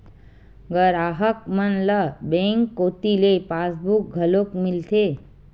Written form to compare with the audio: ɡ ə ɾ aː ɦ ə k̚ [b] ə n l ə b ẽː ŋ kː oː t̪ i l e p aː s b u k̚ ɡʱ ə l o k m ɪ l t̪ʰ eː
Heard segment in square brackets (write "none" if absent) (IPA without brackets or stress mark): m